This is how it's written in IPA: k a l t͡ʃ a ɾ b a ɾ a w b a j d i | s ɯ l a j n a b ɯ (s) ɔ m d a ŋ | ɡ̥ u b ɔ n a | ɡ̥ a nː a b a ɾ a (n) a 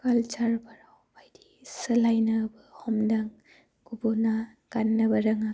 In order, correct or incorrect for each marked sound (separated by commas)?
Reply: incorrect, incorrect